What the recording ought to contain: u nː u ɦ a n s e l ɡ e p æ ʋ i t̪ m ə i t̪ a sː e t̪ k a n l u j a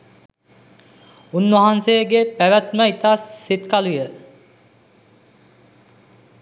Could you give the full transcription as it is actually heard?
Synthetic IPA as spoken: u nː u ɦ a n s e ɡ e p æ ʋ æ t̪ m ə i t̪ a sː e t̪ k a l u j ə